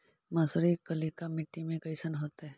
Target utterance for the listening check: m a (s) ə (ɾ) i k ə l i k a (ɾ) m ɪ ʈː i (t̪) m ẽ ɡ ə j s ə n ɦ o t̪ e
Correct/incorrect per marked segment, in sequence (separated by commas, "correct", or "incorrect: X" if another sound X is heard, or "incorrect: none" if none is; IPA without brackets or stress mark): correct, correct, incorrect: none, incorrect: none